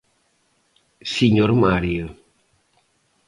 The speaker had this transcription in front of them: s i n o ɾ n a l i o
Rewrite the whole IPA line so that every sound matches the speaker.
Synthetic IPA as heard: s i ɲ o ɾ m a ɾ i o